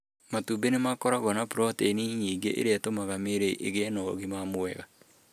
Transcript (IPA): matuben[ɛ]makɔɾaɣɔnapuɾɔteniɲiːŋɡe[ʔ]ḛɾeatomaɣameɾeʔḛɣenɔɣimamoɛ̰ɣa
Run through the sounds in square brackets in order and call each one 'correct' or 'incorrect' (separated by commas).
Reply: incorrect, correct